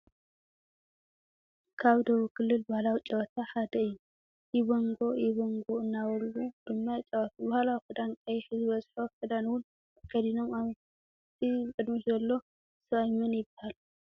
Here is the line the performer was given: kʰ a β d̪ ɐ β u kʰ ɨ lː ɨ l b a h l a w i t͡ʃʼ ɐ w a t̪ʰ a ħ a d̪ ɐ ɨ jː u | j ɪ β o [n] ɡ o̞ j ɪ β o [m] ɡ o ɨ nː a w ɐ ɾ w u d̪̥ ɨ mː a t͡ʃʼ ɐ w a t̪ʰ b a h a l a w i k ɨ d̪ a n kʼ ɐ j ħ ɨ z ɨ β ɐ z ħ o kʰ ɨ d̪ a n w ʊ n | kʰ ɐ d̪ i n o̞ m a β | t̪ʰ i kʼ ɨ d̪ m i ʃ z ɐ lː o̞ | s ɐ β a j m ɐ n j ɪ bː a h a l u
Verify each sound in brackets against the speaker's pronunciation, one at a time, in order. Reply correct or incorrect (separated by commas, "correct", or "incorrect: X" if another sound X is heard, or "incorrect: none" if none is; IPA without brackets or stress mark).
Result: incorrect: ŋ, incorrect: ŋ